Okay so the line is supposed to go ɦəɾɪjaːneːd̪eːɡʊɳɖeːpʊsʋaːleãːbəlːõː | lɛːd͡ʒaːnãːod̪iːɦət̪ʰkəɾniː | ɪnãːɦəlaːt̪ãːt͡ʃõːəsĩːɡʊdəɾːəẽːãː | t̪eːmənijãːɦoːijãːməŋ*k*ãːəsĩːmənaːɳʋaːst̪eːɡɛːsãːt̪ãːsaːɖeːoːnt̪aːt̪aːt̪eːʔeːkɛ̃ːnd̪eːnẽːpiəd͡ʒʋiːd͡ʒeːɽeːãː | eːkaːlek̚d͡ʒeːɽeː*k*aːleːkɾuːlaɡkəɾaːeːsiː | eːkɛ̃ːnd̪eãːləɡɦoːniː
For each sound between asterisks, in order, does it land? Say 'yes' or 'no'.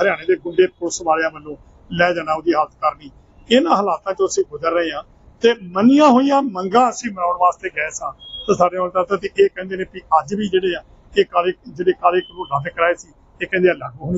no, yes

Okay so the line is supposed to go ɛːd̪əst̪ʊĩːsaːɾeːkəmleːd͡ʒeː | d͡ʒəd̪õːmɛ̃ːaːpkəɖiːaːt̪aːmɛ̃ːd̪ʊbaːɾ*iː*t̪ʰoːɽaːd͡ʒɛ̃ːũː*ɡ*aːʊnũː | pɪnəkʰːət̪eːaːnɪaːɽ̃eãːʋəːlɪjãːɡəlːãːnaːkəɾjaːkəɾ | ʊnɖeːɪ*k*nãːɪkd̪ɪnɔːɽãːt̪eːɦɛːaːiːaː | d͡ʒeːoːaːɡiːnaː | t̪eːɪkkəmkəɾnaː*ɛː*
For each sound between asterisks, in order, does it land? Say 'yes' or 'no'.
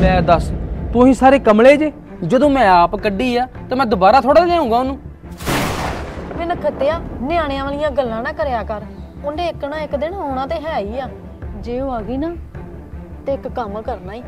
no, yes, yes, no

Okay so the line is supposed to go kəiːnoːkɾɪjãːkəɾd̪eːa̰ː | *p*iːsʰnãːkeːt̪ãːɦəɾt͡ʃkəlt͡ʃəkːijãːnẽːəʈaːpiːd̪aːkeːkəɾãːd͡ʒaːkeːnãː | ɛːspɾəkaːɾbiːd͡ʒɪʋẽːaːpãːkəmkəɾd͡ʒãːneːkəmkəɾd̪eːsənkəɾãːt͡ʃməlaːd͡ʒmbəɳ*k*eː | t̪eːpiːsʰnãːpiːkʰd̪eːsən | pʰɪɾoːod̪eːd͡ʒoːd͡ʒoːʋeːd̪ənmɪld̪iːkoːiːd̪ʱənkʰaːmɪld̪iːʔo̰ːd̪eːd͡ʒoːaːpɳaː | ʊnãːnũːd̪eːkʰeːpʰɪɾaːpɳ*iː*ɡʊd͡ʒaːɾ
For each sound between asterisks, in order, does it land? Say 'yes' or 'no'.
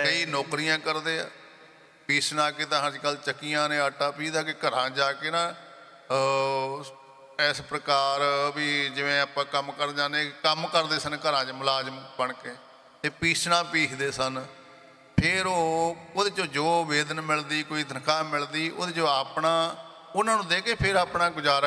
yes, yes, no

